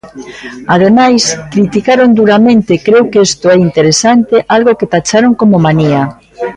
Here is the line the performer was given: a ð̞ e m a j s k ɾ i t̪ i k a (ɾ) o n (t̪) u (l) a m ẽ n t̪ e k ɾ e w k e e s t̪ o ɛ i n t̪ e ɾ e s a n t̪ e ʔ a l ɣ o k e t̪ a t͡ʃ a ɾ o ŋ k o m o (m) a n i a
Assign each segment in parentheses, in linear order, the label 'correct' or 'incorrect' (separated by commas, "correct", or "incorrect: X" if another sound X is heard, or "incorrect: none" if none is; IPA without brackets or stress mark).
correct, incorrect: d̪, incorrect: ɾ, correct